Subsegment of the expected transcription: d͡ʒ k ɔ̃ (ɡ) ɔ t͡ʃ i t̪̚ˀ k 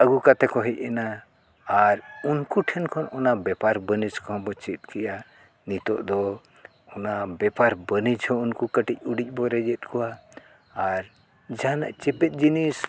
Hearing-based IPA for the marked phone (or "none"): b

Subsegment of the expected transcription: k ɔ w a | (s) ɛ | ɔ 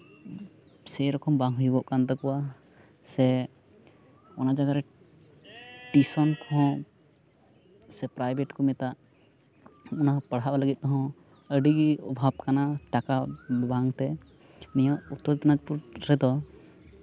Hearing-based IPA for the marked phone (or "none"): s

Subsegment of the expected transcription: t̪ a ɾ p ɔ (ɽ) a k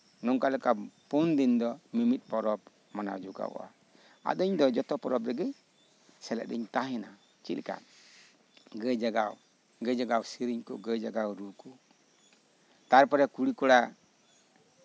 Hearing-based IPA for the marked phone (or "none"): ɾ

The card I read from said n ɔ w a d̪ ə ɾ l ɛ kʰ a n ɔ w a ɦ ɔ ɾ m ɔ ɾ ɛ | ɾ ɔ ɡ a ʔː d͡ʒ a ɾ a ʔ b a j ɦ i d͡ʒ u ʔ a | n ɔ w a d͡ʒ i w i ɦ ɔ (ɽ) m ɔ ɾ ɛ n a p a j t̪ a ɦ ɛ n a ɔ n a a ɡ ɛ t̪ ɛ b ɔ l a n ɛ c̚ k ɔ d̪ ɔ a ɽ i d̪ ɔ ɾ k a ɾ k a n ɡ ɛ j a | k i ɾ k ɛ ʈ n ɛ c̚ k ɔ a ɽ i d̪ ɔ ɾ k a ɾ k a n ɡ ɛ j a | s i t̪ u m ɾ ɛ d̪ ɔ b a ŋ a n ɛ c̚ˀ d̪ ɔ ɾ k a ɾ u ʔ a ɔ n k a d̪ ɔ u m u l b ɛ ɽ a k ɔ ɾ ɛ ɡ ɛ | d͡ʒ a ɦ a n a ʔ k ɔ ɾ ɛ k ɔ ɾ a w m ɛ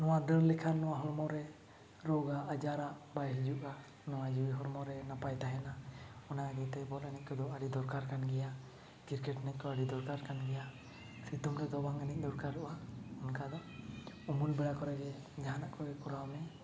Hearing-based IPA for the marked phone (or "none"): ɾ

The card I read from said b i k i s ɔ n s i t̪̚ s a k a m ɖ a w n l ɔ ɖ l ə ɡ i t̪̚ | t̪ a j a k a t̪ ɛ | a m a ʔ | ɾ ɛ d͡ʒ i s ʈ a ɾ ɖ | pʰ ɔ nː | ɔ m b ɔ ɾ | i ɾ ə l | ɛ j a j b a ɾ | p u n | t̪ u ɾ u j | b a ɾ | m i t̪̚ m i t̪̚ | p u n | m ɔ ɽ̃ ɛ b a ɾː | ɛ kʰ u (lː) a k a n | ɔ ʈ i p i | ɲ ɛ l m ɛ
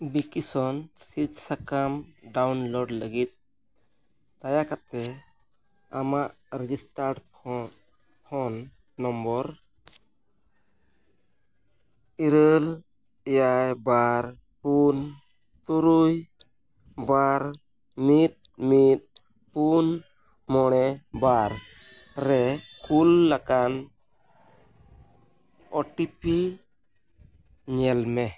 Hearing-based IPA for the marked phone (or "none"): lː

